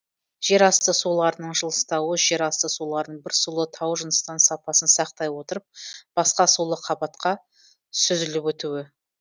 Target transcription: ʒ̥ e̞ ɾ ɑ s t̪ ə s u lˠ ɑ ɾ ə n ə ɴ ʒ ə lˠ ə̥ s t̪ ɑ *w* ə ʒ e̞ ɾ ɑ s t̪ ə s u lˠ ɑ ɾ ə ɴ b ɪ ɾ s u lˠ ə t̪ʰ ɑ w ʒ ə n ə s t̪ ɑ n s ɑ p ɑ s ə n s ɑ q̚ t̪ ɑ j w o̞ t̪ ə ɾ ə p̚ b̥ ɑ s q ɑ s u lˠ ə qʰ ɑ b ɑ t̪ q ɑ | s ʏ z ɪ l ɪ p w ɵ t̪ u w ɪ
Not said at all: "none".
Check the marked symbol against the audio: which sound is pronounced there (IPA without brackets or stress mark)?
w